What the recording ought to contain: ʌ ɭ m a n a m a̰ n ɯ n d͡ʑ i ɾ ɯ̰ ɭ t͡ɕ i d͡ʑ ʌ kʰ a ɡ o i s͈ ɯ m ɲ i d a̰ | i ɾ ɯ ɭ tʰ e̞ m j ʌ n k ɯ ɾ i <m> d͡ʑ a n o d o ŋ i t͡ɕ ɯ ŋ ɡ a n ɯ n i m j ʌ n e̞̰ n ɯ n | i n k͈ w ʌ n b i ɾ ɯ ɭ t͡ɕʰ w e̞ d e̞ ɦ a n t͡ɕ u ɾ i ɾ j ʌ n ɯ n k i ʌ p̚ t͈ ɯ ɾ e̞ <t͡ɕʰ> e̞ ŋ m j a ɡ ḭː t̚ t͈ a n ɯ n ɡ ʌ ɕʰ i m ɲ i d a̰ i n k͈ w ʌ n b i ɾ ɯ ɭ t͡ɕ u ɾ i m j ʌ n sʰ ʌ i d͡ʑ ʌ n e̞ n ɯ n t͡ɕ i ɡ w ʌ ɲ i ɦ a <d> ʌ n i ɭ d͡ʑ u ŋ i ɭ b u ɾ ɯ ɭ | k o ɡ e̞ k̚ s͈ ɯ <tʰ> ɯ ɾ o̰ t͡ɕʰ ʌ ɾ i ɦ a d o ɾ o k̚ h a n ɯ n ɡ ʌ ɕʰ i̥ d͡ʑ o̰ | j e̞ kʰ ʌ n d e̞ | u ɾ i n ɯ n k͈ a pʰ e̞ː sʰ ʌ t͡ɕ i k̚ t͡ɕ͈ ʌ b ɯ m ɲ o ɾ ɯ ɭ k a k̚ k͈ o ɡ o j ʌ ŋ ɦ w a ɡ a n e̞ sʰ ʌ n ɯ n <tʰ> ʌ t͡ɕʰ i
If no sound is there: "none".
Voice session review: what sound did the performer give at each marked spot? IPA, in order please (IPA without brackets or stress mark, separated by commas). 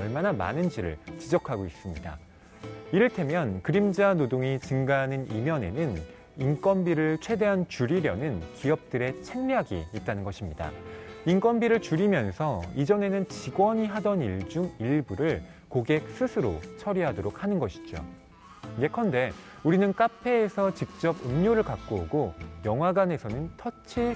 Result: m, t͡ɕʰ, d, sʰ, tʰ